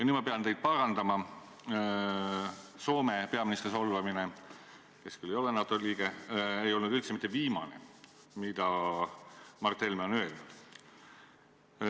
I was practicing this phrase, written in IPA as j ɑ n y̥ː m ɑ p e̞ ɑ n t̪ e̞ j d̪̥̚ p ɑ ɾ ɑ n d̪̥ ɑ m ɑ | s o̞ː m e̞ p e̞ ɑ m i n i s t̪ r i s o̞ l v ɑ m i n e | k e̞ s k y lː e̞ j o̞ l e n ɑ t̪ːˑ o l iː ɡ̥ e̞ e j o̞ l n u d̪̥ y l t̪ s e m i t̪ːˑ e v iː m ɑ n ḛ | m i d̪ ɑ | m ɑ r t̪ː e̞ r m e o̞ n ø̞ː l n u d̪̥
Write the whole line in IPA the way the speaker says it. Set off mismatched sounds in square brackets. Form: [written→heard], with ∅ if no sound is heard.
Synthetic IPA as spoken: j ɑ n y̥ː m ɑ p e̞ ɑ n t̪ e̞ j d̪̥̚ p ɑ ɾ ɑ n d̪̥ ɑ m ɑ | s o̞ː m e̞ p e̞ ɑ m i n i s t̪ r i s o̞ l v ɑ m i n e | k e̞ s k y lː e̞ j o̞ l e n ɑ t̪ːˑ o l iː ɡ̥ e̞ e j o̞ l n u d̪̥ y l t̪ s e m i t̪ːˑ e v iː m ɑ n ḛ | m i d̪ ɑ | m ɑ r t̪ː e̞ [r→l] m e o̞ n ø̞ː l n u d̪̥